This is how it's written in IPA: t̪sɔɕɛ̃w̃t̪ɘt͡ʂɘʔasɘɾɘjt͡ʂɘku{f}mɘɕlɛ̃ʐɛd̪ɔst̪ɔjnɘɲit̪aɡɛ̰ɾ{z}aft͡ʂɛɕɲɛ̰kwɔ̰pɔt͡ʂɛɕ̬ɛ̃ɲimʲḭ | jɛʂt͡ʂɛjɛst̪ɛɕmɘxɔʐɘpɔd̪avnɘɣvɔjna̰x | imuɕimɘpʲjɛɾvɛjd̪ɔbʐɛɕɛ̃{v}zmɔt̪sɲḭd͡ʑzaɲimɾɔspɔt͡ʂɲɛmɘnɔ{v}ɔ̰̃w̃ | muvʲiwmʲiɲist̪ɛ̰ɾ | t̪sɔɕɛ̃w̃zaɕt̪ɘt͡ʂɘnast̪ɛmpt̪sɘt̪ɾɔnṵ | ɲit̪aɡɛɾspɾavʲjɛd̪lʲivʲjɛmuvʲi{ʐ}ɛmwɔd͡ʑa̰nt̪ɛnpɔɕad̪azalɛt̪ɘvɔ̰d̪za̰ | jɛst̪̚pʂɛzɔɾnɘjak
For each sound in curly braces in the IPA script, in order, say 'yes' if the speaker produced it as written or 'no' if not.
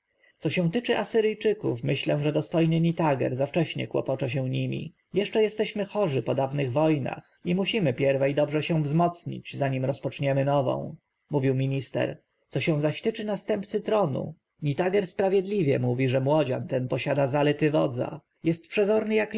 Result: yes, yes, yes, yes, yes

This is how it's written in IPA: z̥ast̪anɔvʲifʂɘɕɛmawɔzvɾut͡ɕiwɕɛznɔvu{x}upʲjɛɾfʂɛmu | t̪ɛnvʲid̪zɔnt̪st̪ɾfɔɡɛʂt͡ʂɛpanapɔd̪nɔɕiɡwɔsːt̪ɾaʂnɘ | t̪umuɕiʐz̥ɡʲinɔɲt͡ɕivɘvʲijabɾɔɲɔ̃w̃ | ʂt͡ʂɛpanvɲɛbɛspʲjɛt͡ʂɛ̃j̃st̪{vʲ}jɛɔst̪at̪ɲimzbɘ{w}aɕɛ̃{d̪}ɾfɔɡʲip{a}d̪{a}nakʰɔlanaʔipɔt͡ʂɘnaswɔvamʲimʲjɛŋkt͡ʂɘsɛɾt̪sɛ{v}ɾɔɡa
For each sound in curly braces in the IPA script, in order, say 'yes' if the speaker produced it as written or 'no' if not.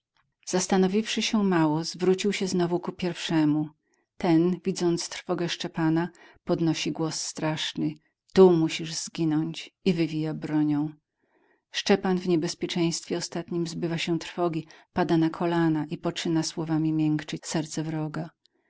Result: no, no, no, no, yes, yes, yes

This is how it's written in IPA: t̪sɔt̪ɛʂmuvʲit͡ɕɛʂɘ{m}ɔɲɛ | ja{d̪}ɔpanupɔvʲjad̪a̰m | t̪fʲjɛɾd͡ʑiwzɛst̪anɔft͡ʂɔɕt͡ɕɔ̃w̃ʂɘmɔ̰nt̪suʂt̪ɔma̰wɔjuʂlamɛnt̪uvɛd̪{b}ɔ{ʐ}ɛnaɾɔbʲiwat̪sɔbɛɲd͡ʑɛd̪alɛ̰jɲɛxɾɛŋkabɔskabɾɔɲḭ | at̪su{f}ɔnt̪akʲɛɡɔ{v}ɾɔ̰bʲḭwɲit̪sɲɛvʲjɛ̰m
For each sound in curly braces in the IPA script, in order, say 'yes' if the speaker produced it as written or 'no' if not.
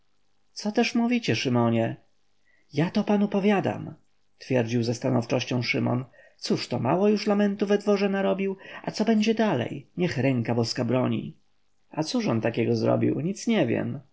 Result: yes, no, no, yes, no, no

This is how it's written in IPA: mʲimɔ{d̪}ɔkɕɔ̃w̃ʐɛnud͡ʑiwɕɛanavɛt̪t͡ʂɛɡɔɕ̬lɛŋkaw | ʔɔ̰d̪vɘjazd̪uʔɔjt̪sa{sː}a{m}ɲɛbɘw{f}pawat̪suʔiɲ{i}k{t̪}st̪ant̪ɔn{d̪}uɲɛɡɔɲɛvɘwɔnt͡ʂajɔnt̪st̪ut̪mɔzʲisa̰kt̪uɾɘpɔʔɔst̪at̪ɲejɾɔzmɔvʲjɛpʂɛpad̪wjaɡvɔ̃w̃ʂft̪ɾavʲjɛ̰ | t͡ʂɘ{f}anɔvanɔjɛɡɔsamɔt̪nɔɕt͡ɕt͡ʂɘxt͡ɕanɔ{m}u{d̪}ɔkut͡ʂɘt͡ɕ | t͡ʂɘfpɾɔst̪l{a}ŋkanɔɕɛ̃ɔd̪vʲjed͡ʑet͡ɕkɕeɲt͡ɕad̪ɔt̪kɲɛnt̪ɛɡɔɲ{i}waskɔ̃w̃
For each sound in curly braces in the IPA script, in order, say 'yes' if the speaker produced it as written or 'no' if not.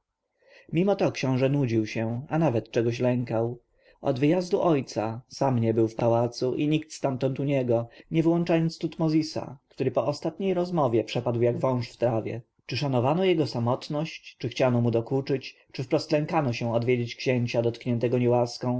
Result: no, no, yes, yes, yes, yes, no, no, yes, yes, no, no

